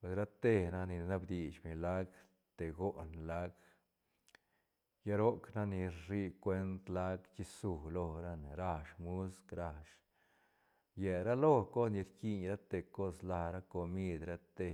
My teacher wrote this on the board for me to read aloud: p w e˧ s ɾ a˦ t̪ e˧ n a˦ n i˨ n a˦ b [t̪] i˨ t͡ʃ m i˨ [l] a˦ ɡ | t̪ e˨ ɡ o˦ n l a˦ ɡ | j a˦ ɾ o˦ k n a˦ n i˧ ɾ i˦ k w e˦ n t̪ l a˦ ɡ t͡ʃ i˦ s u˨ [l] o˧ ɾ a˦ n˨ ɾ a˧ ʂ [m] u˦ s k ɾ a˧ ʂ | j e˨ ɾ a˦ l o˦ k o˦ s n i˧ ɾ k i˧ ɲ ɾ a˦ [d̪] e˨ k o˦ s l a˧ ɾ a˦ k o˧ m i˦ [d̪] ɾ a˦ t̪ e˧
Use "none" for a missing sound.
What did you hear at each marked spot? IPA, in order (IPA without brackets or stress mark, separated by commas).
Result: d̪, l, l, m, t̪, d̪